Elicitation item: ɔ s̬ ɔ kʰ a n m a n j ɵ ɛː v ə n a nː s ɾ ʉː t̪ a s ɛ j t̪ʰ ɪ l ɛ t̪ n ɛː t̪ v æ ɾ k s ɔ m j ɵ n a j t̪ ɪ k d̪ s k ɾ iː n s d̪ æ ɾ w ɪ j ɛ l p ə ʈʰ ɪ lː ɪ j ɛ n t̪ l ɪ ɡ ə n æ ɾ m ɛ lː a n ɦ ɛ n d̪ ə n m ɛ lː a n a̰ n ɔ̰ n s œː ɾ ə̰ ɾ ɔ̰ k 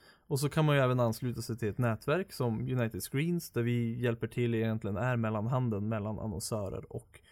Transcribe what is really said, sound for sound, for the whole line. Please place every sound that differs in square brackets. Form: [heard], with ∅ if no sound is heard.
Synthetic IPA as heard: ɔ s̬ ɔ kʰ a n m a n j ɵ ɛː v ə n a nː s [l] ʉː t̪ a s ɛ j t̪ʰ ɪ l ɛ t̪ n ɛː t̪ v æ ɾ k s ɔ m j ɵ n a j t̪ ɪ [∅] d̪ s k ɾ iː n s d̪ æ ɾ [v] ɪ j ɛ l p ə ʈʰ ɪ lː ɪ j ɛ n t̪ l ɪ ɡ ə n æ ɾ m ɛ lː a n ɦ [a] n d̪ ə n m ɛ lː a n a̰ n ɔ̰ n s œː ɾ ə̰ ɾ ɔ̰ k